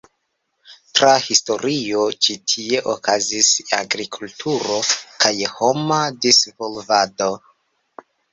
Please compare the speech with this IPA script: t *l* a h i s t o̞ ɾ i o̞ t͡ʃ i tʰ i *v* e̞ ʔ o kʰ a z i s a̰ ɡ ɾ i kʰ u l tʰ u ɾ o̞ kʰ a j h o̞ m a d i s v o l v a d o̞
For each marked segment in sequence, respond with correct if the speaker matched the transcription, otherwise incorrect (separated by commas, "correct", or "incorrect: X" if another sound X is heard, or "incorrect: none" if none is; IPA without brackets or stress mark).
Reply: incorrect: ɾ, incorrect: none